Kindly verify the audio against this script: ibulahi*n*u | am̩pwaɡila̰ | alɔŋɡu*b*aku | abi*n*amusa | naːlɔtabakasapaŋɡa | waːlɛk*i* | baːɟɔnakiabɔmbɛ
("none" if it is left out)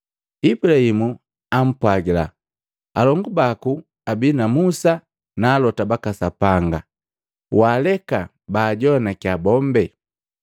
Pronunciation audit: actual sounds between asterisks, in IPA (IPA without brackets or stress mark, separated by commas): m, b, n, a